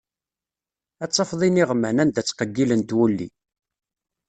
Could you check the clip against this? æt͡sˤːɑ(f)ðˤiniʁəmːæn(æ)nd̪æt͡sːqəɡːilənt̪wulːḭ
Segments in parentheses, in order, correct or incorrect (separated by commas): correct, correct